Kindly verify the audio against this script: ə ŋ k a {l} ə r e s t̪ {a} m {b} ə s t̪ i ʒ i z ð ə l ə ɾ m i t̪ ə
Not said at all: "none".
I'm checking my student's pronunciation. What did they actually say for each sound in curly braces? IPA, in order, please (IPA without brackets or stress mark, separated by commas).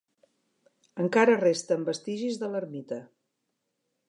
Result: ɾ, ə, b